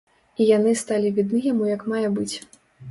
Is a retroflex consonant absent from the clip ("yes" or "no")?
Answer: yes